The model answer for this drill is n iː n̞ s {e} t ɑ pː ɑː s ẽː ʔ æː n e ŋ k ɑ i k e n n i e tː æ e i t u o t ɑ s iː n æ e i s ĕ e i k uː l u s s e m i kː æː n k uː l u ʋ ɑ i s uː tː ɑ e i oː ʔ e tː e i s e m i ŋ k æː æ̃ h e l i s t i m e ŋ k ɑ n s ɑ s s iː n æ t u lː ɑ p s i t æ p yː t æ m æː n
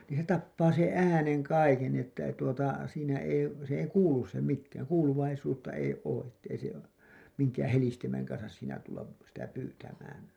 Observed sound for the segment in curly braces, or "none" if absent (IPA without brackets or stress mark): e